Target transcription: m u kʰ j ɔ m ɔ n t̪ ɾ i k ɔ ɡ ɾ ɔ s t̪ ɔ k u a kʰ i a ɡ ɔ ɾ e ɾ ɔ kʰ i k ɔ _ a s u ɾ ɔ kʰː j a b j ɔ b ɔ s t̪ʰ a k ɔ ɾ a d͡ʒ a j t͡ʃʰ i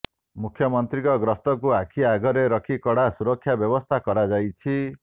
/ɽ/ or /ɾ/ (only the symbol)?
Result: ɽ